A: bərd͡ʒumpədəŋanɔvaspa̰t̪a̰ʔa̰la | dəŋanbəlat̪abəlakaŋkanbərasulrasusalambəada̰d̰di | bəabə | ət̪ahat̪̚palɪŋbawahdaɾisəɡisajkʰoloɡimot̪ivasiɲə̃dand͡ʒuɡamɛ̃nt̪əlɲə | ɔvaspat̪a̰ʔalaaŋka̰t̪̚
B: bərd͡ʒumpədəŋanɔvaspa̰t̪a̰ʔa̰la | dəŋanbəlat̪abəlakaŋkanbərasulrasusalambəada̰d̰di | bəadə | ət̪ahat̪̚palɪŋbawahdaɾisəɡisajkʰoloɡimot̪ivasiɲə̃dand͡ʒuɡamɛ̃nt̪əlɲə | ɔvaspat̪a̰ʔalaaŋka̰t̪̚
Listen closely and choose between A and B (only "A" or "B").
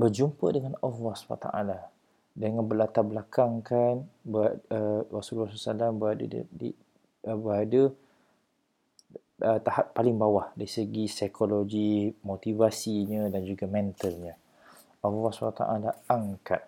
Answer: B